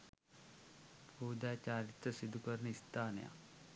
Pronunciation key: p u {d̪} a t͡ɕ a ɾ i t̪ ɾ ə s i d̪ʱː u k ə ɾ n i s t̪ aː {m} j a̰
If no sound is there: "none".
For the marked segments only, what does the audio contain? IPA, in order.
d̪, n

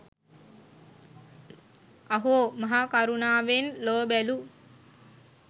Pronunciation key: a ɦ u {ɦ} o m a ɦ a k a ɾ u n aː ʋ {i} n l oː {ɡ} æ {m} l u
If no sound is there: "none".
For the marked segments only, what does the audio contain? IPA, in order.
none, e, b, none

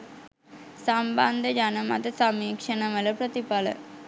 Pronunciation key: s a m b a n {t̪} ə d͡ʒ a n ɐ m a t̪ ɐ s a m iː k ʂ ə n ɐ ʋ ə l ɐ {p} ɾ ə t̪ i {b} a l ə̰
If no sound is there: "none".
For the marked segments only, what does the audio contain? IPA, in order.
d̪, p, p

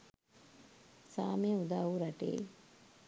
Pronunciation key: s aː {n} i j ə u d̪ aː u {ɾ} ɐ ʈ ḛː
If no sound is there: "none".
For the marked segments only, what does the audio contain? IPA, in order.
m, ɾ

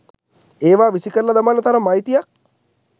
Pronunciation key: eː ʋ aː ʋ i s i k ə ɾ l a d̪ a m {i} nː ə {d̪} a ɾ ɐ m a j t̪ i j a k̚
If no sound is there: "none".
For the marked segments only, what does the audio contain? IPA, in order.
a, t̪

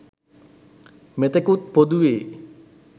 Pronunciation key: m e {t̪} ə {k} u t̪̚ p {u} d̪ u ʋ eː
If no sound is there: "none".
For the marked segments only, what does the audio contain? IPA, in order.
t̪, k, o

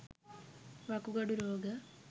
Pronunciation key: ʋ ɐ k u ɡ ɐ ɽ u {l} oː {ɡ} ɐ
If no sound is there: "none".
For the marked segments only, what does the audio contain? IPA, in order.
ɾ, ɡ

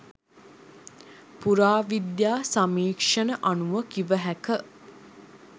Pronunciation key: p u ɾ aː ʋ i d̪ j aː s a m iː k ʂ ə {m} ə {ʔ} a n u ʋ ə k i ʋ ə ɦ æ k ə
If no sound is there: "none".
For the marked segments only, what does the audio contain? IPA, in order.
n, ʔ

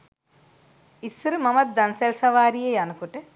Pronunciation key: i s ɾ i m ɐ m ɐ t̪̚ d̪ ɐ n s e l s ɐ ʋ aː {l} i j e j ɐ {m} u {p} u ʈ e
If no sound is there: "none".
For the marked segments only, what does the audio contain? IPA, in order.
ɾ, n, k

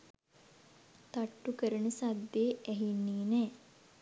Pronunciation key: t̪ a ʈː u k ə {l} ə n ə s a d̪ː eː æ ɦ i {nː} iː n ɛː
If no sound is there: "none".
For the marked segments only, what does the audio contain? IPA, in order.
ɾ, nː

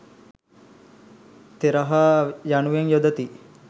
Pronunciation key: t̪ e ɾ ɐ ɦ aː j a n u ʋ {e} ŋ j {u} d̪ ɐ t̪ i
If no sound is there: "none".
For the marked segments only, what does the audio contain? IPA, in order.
e, o

